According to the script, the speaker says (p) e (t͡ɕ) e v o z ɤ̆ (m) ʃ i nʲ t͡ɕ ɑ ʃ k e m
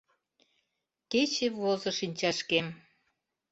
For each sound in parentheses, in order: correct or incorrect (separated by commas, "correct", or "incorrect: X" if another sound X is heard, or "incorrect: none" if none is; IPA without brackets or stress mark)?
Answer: incorrect: k, correct, incorrect: none